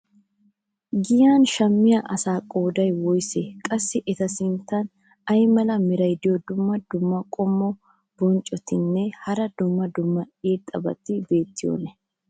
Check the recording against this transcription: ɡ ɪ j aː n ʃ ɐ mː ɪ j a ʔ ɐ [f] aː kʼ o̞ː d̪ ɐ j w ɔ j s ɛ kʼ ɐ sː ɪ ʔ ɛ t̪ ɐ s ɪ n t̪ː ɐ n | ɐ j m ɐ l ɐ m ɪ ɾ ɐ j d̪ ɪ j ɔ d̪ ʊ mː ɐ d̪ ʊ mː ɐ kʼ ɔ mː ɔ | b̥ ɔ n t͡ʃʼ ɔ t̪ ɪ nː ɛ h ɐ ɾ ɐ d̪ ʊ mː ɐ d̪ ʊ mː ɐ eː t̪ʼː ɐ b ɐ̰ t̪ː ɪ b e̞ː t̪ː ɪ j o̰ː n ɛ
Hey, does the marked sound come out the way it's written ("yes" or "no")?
no